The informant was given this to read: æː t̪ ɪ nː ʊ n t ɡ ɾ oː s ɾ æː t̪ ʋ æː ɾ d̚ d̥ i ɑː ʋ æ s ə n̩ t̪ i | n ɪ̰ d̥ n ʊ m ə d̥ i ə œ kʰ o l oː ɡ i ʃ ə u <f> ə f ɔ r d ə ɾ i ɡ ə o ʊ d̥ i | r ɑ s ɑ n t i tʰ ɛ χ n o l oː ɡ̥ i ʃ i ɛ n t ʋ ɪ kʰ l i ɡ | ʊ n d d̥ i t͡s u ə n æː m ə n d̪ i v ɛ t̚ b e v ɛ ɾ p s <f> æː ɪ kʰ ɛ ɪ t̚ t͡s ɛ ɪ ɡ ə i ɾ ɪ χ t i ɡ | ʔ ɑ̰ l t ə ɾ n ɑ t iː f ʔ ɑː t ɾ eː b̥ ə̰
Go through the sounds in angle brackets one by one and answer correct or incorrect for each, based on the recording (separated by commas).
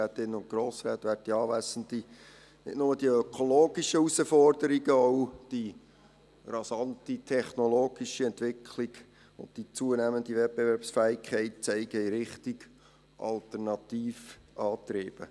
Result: incorrect, correct